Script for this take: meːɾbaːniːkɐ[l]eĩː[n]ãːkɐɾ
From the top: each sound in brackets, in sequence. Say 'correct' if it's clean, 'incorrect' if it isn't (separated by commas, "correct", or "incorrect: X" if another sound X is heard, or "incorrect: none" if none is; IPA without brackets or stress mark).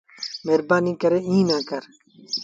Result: incorrect: ɾ, correct